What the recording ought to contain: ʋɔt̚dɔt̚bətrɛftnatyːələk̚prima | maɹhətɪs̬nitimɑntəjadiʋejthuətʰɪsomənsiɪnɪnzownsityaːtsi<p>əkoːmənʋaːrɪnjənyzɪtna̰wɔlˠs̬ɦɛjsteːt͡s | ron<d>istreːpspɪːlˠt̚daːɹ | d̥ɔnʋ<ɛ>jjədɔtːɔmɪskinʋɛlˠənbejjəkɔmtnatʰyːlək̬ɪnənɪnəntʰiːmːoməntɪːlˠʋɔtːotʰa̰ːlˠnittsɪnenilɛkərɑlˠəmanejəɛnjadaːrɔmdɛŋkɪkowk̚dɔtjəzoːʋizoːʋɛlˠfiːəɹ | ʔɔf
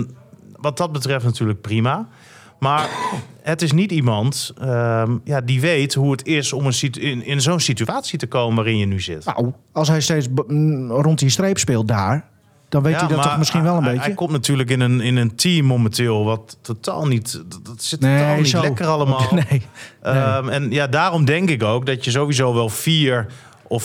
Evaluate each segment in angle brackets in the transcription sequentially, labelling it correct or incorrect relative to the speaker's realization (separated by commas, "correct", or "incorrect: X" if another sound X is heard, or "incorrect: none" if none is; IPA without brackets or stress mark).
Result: incorrect: t, incorrect: t, incorrect: e